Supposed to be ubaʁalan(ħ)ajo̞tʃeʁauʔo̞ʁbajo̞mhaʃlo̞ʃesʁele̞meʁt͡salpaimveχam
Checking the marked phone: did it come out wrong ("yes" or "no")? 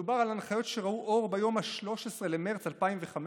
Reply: yes